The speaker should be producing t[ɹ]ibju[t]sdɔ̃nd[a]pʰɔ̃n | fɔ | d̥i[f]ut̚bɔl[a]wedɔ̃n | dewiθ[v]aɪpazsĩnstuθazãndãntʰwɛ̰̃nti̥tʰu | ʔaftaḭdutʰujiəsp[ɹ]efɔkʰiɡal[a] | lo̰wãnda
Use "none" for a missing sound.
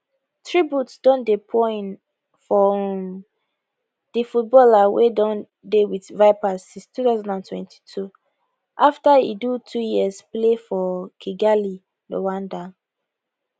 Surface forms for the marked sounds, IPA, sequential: ɹ, t, e, f, a, v, l, i

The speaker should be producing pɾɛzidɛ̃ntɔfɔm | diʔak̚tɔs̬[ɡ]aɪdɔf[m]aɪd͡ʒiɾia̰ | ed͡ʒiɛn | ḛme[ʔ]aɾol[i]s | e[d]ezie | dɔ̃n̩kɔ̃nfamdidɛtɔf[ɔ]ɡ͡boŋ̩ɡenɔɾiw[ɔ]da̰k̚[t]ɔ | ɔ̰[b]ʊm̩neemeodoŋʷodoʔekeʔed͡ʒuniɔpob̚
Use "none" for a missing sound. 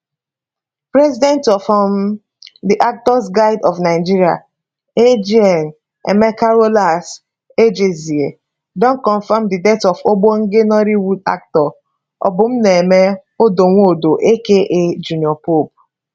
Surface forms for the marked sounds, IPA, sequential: ɡ, n, k, a, d͡ʒ, o, u, t, b

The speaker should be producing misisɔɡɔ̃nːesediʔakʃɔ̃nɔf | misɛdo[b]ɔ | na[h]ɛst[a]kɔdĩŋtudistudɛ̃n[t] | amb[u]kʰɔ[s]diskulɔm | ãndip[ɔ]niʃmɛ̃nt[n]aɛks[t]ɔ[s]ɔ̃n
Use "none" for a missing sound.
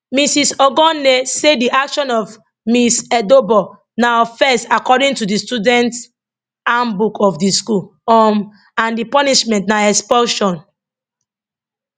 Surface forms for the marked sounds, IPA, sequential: b, f, a, t, u, f, ɔ, n, p, ʃ

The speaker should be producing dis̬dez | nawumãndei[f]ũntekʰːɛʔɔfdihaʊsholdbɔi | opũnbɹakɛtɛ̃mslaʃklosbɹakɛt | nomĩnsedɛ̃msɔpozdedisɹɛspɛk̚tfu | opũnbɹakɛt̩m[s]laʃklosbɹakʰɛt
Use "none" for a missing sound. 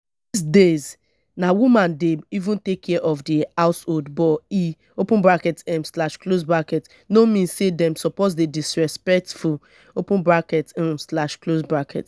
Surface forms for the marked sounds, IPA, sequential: v, s

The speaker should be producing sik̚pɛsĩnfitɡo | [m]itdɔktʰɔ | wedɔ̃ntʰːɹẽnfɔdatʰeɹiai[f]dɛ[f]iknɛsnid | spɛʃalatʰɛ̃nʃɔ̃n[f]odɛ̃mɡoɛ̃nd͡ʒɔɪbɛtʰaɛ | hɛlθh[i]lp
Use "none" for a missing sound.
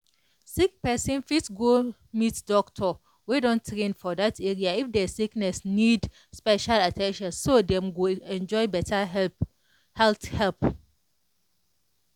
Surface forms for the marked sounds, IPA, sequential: m, f, s, s, ɛ

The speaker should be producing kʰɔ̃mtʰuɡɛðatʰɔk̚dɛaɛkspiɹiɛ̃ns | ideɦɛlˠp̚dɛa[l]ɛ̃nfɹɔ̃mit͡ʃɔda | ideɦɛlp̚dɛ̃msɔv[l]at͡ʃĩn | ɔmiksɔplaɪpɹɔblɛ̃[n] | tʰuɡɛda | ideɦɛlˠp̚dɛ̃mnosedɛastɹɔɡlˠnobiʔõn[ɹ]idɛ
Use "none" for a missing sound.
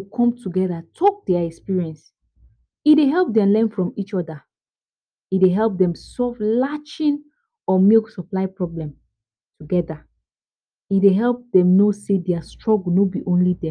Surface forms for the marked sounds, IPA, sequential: l, l, m, l

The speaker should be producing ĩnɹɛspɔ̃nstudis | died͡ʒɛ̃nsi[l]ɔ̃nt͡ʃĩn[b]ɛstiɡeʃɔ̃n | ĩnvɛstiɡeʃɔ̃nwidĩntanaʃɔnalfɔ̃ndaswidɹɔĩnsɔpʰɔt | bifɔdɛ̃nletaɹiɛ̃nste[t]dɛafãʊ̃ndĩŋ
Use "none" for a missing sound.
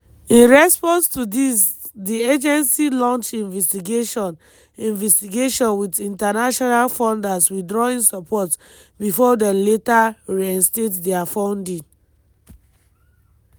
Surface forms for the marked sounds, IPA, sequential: l, v, t

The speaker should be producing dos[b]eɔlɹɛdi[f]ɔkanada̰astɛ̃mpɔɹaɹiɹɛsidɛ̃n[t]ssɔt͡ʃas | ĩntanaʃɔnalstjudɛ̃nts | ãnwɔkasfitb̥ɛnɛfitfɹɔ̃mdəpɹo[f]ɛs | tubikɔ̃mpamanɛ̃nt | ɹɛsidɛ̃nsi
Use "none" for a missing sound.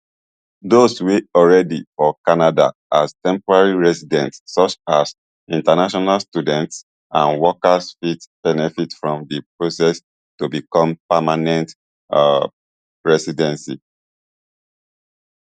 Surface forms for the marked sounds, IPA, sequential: w, f, t, s

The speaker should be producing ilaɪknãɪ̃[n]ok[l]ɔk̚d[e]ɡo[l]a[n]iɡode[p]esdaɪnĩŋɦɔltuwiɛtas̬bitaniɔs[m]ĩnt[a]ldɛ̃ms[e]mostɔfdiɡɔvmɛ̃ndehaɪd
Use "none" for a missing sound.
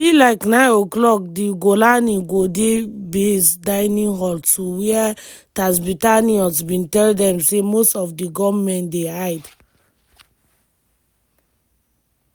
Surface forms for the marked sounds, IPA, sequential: n, l, i, l, n, b, b, ɛ, e

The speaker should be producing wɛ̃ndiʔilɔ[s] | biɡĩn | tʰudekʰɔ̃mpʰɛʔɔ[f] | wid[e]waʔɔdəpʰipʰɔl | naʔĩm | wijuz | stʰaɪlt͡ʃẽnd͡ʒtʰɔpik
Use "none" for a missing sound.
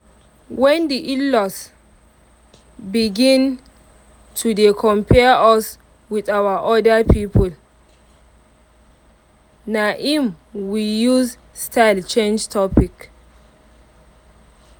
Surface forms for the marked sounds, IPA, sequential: s, s, a

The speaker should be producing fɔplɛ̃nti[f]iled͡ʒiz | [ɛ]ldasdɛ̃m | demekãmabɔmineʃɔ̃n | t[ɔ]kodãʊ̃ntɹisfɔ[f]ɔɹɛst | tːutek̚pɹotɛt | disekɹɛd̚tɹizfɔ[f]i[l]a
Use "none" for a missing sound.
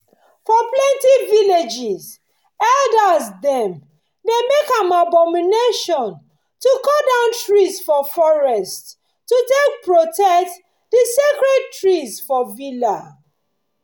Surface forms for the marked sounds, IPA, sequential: v, ɛ, u, f, v, l

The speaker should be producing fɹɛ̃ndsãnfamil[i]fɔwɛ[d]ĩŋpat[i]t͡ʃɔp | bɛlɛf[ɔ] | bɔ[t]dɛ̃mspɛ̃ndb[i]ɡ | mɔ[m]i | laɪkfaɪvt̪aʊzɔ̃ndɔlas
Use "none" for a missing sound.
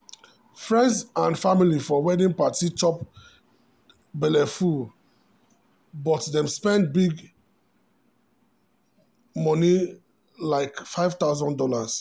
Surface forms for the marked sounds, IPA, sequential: i, d, i, u, t, i, n

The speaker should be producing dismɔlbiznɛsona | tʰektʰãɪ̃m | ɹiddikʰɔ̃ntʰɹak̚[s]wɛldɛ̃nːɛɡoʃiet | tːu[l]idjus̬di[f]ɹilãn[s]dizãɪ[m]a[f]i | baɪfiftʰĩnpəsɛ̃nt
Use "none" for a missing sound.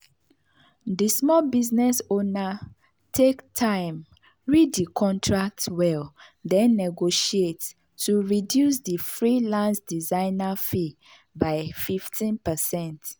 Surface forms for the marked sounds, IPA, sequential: t, ɹ, f, s, n, f

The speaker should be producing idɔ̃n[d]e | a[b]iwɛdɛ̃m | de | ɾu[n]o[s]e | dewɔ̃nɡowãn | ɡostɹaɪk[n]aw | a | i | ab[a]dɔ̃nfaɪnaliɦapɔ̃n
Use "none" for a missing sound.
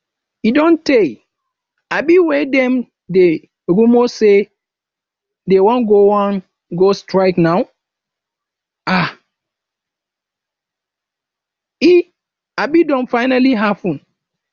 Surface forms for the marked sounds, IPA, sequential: t, b, m, s, n, i

